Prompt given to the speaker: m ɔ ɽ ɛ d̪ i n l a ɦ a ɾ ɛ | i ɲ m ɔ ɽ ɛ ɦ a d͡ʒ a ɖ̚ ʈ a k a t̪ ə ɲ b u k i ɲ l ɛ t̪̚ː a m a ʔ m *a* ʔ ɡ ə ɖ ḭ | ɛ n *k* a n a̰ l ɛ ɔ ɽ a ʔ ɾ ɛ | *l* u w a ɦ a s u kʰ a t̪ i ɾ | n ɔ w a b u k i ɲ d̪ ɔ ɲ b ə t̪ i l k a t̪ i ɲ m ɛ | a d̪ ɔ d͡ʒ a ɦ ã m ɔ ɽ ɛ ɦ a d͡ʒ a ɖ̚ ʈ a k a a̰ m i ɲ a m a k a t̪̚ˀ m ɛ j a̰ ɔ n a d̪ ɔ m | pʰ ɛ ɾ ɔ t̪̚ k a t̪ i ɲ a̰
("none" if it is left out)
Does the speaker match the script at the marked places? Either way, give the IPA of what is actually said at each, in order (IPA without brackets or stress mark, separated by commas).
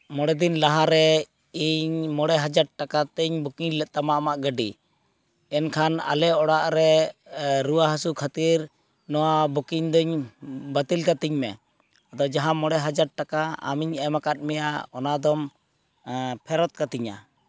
a, kʰ, ɾ